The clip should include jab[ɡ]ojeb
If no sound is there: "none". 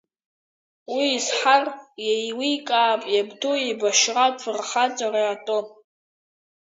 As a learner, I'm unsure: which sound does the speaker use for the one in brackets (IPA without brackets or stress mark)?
d